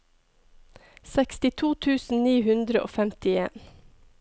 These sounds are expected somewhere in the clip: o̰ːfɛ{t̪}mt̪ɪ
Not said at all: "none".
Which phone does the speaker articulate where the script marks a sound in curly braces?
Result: none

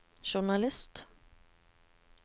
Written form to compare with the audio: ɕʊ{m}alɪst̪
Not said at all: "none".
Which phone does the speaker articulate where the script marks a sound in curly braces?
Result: ɳ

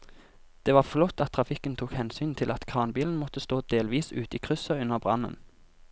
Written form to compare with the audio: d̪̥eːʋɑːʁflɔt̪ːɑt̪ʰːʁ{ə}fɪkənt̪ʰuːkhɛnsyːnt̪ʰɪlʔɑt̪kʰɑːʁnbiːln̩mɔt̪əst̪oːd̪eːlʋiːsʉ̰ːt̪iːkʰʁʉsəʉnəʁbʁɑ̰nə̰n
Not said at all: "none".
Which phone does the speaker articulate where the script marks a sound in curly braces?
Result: ɑ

